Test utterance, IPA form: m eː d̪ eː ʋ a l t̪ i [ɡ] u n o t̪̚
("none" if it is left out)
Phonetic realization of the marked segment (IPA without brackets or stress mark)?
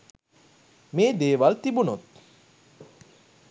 b